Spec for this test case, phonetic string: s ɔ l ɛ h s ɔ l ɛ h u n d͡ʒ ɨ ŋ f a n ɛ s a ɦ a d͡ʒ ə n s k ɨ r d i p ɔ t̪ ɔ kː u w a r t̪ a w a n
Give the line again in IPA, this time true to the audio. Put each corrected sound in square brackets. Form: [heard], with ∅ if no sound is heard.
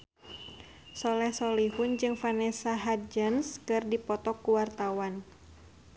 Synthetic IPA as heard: s ɔ l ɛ h s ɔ l [i] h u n d͡ʒ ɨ ŋ f a n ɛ s a ɦ a d͡ʒ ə n s k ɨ r d i p ɔ t̪ ɔ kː u w a r t̪ a w a n